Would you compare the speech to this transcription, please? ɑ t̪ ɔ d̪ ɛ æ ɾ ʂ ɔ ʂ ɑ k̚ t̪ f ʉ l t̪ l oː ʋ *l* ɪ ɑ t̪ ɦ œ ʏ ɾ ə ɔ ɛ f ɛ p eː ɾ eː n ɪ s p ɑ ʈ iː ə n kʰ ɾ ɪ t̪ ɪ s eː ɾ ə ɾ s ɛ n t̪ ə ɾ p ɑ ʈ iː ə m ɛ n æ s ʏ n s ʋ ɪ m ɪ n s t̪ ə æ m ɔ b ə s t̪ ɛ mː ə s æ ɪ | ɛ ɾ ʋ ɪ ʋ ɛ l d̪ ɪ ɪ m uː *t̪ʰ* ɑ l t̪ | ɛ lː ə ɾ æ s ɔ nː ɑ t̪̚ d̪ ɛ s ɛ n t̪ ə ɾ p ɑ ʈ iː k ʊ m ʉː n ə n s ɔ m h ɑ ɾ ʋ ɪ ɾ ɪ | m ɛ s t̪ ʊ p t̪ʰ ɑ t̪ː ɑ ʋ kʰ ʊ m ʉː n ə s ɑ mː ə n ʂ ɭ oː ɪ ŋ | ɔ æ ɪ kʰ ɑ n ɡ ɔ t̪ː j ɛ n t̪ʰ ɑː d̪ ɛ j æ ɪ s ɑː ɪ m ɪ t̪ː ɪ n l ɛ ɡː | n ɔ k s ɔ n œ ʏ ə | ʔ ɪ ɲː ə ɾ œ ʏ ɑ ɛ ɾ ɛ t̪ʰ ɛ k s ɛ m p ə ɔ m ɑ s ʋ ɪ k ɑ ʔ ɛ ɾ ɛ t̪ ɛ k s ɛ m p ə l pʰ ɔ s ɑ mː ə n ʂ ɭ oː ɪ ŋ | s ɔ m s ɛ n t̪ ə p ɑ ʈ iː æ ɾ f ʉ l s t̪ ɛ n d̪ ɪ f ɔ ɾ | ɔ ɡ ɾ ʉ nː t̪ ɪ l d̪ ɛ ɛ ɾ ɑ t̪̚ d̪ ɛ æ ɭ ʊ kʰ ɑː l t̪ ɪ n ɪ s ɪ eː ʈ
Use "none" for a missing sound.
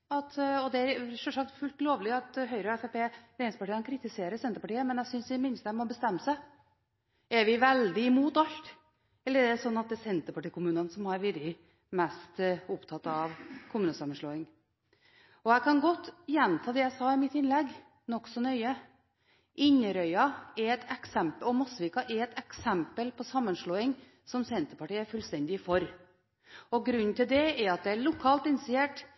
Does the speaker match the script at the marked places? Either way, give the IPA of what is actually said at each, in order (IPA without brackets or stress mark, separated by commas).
l, t̪